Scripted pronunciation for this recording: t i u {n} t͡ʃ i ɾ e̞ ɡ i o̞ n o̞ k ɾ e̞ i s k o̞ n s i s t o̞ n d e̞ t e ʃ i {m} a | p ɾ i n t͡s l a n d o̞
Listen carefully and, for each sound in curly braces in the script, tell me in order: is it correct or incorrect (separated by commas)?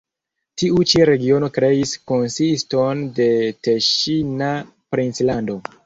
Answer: incorrect, incorrect